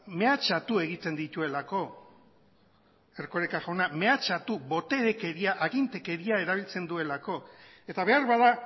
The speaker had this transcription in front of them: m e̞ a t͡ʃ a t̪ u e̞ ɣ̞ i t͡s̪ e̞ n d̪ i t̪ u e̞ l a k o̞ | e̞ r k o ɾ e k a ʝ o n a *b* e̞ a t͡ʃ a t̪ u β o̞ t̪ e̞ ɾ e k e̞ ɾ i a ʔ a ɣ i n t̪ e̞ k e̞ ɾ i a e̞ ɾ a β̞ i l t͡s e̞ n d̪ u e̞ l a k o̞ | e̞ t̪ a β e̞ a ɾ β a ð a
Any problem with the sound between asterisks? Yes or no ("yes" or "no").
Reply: yes